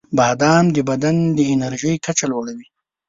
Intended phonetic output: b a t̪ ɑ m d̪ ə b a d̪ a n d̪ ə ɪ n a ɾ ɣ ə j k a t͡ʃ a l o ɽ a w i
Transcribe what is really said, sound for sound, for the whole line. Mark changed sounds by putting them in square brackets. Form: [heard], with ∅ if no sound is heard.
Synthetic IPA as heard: b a [d̪] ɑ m d̪ ə b a d̪ a n d̪ ə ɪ n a ɾ [ʒ] ə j k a t͡ʃ a l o ɽ a w i